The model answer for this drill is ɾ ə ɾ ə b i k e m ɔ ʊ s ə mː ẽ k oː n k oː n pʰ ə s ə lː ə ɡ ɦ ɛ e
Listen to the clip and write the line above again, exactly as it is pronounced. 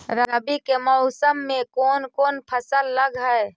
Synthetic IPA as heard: ɾ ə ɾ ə b i k e m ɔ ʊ s ə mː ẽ k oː n k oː n pʰ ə s ə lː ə ɡ ɦ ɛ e

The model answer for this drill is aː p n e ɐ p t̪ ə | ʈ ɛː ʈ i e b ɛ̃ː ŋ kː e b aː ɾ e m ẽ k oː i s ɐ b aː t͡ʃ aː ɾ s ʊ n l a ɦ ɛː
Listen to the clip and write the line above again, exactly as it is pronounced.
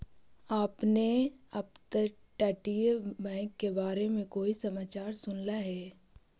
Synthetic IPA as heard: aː p n e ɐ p t̪ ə | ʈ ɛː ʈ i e b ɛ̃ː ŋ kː e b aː ɾ e m ẽ k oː i s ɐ m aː t͡ʃ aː ɾ s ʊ n l a ɦ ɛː

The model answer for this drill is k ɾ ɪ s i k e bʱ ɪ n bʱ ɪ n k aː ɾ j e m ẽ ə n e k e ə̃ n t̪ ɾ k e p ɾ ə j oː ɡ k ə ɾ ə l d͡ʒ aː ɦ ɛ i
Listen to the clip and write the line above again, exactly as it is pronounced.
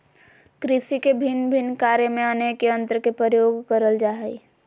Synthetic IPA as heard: k ɾ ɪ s i k e bʱ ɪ n bʱ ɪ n k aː ɾ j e m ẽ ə n e k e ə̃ n t̪ ɾ k e p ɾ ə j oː ɡ k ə ɾ ə l d͡ʒ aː ɦ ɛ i

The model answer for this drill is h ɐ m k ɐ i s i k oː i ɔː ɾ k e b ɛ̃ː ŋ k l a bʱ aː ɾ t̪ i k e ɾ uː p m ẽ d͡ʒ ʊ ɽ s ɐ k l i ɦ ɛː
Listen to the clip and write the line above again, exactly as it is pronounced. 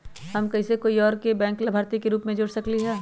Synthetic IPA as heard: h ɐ m k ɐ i s e k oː i ɔː ɾ k e b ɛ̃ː ŋ k l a bʱ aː ɾ t̪ i k e ɾ uː p m ẽ d͡ʒ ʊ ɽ s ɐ k l i ɦ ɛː

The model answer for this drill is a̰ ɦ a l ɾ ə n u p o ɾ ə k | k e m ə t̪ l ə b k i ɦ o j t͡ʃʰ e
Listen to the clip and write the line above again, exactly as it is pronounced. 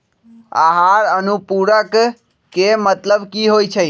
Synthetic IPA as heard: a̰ ɦ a ɾ ə n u p u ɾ ə k | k e m ə t̪ l ə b k i ɦ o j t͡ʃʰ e

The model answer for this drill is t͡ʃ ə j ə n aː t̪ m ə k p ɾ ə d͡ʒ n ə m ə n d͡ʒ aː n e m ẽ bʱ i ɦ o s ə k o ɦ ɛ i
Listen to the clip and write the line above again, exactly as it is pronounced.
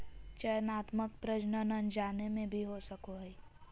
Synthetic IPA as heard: t͡ʃ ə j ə n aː t̪ m ə k p ɾ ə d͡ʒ n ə n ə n d͡ʒ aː n e m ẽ bʱ i ɦ o s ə k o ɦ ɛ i

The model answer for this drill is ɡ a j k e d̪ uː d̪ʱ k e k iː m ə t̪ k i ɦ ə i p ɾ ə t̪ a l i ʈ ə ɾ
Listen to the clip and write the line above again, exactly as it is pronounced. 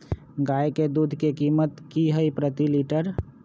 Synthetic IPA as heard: ɡ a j k e d̪ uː d̪ʱ k e k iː m ə t̪ k i ɦ ə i p ɾ ə t̪ i l i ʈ ə ɾ

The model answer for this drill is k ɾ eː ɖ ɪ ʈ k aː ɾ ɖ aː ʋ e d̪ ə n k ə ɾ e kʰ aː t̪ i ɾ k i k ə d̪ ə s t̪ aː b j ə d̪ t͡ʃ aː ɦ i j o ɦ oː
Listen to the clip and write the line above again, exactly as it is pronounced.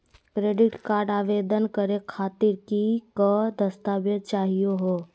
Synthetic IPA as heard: k ɾ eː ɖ ɪ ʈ k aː ɾ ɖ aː ʋ e d̪ ə n k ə ɾ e kʰ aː t̪ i ɾ k i k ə d̪ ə s t̪ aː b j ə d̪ t͡ʃ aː ɦ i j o ɦ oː

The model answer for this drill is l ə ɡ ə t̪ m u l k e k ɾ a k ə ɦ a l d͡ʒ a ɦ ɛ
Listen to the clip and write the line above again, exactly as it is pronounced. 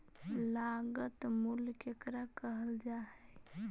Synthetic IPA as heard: l a ɡ ə t̪ m u l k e k ɾ a k ə ɦ ə l d͡ʒ a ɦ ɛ

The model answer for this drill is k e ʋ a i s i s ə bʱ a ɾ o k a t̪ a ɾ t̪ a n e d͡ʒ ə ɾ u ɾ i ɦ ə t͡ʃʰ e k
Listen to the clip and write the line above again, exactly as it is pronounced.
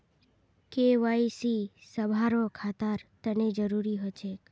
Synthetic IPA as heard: k e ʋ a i s i s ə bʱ a ɾ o kʰ a t̪ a ɾ t̪ ə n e d͡ʒ ə ɾ u ɾ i ɦ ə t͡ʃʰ e k

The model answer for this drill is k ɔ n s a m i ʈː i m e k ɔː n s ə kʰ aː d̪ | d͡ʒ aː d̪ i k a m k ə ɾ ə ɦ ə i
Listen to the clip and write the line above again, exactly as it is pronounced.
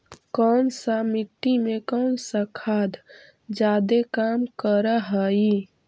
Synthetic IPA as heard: k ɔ n s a m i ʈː i m e k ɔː n s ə kʰ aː d̪ | d͡ʒ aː d̪ e k a m k ə ɾ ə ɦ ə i

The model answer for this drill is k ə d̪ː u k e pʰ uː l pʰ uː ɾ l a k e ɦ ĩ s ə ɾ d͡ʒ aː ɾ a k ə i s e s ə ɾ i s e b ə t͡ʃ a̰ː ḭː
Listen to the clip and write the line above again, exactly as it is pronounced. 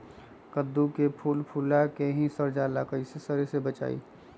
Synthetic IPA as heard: k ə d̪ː u k e pʰ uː l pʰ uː l a k e ɦ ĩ s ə ɾ d͡ʒ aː l a k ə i s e s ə ɾ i s e b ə t͡ʃ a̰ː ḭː

